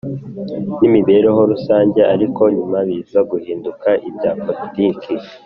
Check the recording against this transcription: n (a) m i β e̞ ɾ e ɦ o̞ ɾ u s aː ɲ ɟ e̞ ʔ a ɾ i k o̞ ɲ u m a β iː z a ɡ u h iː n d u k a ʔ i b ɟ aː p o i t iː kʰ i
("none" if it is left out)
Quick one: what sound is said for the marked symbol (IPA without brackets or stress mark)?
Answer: i